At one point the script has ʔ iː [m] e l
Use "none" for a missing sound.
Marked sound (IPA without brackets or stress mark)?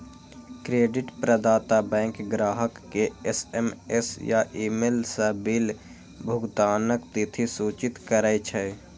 m